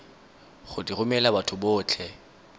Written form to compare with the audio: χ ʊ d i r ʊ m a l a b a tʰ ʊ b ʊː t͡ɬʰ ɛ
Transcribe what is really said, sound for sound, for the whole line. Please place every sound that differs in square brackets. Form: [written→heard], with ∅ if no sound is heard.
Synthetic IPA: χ ʊ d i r ʊ m [a→ɛ] l a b a tʰ ʊ b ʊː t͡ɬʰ ɛ

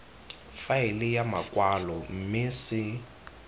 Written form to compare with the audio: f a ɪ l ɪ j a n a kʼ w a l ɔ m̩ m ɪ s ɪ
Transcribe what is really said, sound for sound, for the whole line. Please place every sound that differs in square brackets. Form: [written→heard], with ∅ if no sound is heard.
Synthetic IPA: f a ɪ l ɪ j a [n→m] a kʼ w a l ɔ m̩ m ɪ s ɪ

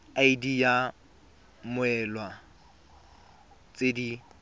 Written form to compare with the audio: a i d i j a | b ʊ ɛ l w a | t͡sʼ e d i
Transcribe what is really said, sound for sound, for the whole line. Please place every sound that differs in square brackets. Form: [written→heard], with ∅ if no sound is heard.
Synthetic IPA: a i d i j a | [b→m] ʊ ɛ l w a | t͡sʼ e d i

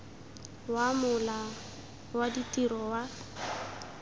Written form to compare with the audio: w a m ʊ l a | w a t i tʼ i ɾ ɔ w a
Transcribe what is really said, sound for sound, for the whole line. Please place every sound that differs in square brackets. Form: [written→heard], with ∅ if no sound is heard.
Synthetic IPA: w a m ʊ l a | w a [t→d] i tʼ i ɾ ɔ w a

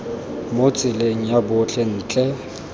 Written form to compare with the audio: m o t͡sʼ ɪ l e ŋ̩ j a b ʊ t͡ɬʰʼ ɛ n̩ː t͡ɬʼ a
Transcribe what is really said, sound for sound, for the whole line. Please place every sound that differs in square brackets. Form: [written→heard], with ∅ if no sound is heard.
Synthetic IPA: m o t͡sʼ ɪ l e ŋ̩ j a b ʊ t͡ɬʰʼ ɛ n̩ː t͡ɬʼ [a→ɛ]

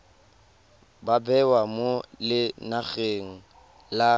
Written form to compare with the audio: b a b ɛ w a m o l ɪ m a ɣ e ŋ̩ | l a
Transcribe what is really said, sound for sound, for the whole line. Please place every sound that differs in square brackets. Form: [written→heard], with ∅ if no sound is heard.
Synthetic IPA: b a b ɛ w a m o l ɪ [m→n] a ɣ e ŋ̩ | l a

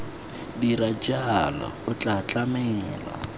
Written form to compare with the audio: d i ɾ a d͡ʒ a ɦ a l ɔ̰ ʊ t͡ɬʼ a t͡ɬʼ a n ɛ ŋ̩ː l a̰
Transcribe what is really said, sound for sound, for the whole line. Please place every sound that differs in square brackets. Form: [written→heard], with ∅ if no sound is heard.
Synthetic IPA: d i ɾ a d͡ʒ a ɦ a l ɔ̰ ʊ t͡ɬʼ a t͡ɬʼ a [n→m] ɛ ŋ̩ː l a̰

